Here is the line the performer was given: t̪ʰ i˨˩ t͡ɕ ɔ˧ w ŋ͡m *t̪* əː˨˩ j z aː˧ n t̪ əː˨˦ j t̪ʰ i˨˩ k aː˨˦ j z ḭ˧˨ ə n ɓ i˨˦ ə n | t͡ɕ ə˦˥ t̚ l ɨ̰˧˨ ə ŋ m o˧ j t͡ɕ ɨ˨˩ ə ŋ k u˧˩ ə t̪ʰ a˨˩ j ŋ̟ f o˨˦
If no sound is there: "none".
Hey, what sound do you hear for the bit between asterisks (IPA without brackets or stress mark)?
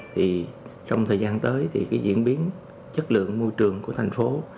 t̪ʰ